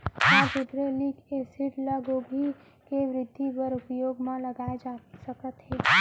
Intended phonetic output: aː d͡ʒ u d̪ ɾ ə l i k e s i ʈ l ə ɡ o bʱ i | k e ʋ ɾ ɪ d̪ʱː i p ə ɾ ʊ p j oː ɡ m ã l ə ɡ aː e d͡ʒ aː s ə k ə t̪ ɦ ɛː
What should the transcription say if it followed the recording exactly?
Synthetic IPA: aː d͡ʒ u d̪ ɾ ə l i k e s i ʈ l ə ɡ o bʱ i | k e ʋ ɾ ɪ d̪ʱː i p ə ɾ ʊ p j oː ɡ m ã l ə ɡ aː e d͡ʒ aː s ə k ə t̪ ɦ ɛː